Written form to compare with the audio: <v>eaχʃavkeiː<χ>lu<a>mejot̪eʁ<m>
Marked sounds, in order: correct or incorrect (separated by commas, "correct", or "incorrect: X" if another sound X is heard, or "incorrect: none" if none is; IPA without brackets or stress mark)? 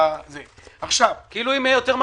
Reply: incorrect: z, incorrect: none, incorrect: i, correct